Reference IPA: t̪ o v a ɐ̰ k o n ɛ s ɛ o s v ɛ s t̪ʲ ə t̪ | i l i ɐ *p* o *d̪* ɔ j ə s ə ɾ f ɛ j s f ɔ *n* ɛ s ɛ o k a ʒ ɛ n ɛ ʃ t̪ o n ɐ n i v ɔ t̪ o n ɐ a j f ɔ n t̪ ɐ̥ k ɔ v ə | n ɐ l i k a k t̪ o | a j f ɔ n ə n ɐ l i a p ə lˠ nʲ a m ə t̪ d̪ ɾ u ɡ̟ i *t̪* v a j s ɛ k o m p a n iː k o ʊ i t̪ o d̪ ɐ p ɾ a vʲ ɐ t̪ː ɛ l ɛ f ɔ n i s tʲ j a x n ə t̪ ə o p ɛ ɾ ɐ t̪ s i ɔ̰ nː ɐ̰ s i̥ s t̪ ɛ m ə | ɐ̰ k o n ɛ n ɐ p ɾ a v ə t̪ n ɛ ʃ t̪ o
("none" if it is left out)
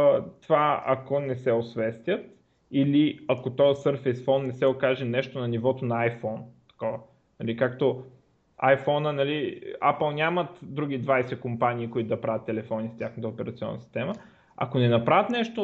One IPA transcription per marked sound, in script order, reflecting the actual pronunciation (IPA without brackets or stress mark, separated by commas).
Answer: k, t̪, nː, d̪